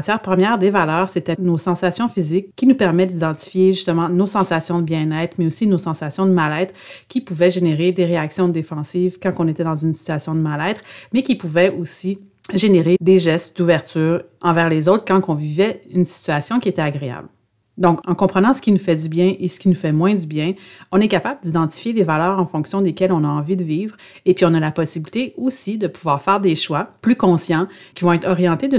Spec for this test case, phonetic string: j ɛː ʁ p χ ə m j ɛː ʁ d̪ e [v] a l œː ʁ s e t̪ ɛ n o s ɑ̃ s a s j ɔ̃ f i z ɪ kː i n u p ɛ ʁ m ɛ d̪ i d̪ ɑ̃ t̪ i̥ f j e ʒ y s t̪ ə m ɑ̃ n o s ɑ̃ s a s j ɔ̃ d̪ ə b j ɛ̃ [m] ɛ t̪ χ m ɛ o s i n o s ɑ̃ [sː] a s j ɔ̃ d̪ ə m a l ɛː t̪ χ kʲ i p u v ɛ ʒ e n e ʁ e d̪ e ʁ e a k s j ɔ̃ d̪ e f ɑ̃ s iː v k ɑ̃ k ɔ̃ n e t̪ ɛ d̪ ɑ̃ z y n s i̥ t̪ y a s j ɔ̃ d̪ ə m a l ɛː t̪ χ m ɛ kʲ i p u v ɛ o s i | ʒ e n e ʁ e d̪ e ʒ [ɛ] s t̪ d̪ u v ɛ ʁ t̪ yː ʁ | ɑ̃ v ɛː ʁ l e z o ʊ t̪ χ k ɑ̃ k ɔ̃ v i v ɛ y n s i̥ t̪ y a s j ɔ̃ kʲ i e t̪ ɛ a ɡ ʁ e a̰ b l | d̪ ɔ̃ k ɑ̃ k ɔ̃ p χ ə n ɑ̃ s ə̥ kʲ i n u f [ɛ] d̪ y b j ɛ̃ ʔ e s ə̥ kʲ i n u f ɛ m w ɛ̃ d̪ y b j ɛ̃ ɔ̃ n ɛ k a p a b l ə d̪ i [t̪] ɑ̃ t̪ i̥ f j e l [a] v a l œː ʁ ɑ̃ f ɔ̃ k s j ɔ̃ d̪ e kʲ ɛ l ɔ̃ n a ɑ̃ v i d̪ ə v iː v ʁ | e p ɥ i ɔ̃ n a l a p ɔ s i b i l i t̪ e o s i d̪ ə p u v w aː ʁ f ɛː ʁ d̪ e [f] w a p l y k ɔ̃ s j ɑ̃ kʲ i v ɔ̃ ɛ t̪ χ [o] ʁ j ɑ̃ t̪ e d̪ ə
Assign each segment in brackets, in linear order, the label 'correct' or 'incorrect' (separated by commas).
correct, incorrect, incorrect, correct, correct, incorrect, incorrect, incorrect, incorrect